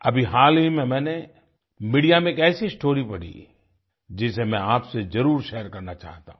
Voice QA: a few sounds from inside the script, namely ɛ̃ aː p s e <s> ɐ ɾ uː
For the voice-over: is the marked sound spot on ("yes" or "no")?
no